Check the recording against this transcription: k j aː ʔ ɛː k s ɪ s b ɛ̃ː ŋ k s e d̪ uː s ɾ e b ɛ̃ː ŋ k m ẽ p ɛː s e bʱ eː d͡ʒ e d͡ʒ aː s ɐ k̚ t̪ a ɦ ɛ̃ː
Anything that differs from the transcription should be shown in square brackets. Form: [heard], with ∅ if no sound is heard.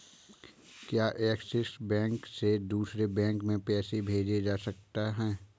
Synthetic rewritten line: k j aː ʔ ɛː k s ɪ s b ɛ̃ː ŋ k s e d̪ uː s ɾ e b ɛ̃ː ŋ k m ẽ p ɛː s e bʱ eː d͡ʒ e d͡ʒ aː s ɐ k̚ t̪ a ɦ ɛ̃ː